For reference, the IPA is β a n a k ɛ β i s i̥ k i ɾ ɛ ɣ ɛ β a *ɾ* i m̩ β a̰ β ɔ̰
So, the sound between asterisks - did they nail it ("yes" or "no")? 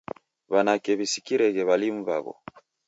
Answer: no